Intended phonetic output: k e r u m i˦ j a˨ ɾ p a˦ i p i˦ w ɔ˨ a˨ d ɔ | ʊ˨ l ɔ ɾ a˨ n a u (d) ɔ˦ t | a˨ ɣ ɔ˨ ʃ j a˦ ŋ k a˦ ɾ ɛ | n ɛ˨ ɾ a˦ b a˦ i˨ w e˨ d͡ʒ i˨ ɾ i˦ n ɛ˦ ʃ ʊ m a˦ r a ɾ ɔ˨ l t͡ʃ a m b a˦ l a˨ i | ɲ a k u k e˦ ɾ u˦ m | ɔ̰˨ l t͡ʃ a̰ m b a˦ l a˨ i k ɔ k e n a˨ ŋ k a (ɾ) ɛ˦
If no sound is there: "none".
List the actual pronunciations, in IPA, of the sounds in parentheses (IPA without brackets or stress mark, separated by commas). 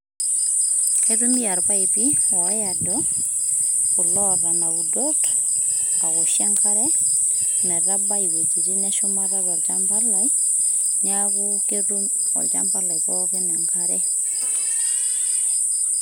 d, ɾ